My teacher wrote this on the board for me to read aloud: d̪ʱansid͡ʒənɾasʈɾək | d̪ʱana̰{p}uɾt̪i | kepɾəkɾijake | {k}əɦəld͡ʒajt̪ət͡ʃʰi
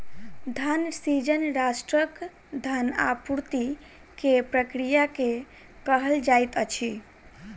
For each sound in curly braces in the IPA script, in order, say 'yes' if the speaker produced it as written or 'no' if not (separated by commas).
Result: yes, yes